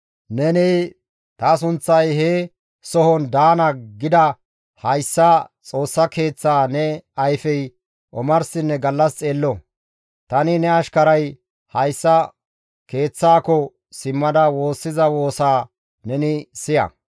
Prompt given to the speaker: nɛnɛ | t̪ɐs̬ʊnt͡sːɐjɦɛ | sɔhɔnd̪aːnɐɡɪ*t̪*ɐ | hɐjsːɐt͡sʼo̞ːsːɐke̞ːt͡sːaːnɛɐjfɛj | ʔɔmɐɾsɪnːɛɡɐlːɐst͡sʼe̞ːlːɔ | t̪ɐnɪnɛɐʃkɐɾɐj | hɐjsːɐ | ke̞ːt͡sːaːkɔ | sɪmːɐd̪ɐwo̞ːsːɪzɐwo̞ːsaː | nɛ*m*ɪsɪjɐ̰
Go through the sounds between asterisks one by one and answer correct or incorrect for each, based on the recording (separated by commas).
incorrect, incorrect